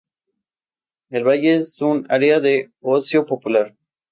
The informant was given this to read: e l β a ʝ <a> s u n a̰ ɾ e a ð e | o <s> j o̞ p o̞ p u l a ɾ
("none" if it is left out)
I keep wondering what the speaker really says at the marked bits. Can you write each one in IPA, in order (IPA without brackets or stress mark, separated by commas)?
e, s